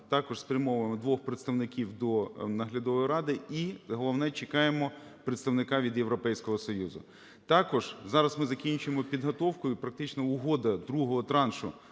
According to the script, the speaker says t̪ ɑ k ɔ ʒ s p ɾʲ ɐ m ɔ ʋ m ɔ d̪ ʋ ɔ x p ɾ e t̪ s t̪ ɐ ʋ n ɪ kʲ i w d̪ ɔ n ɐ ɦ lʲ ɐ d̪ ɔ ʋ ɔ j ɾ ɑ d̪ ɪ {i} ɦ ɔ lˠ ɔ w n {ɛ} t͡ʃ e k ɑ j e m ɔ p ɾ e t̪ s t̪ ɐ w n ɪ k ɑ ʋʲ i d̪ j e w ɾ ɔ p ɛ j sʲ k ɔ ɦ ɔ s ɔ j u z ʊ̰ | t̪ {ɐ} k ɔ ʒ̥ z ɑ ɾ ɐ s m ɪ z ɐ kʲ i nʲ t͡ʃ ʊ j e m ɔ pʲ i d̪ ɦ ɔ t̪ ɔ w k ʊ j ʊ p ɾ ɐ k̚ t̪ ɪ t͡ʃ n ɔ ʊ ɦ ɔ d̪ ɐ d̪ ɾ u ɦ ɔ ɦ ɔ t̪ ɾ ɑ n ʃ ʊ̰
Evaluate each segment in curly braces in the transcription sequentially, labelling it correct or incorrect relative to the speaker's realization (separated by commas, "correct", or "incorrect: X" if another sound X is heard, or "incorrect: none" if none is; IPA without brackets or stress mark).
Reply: correct, correct, incorrect: ɑ